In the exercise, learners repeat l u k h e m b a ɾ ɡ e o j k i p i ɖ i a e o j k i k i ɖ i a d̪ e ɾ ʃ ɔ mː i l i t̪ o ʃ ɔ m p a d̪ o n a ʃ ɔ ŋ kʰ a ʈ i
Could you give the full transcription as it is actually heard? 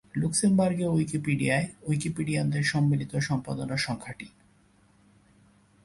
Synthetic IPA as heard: l u k s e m b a ɾ ɡ e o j k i p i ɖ i a e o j k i p i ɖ i a d̪ e ɾ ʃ ɔ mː i l i t̪ o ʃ ɔ m p a d̪ o n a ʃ ɔ ŋ kʰ a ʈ i